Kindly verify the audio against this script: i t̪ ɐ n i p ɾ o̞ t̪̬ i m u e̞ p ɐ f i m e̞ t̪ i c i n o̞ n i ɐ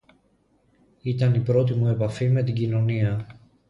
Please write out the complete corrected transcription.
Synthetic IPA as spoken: i t̪ ɐ n i p ɾ o̞ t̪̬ i m u e̞ p ɐ f i m e̞ t̪ i ɟ i n o̞ n i ɐ